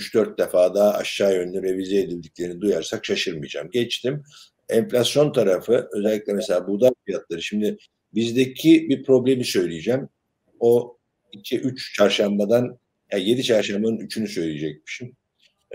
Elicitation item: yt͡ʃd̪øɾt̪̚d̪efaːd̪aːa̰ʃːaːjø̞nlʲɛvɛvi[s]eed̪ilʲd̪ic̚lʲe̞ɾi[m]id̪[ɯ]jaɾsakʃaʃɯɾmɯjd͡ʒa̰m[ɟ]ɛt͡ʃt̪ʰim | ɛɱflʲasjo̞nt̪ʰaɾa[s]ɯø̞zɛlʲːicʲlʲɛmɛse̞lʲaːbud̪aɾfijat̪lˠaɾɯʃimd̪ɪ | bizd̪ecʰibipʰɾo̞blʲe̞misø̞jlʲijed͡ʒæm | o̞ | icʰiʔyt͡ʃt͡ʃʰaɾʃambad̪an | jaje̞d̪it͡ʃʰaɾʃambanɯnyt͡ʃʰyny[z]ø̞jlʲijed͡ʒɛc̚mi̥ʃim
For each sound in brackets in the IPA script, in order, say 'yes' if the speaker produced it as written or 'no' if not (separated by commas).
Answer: no, no, no, yes, no, no